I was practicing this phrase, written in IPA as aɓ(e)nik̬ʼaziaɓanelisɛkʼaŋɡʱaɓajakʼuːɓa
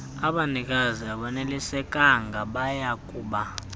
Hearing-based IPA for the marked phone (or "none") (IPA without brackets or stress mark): a